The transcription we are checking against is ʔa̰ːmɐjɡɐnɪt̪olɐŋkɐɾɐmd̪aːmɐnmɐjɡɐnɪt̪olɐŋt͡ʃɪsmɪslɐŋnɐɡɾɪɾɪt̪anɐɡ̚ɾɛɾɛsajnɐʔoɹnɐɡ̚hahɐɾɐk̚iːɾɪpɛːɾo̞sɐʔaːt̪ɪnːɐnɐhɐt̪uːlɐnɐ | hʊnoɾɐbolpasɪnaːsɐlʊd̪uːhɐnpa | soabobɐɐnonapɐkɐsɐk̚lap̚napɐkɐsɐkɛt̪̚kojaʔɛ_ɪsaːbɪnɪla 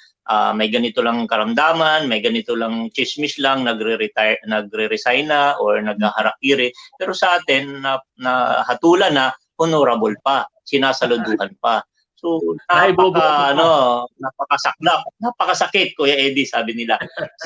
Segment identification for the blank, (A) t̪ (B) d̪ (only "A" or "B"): B